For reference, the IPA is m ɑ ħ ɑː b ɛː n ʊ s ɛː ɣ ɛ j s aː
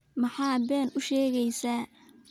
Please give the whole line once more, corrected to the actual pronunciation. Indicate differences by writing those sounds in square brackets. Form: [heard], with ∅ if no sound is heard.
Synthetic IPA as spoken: m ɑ ħ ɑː b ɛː n ʊ [ʃ] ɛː ɣ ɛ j s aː